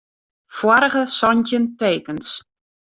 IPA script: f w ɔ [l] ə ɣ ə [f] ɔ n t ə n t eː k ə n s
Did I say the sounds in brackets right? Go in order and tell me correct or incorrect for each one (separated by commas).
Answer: incorrect, incorrect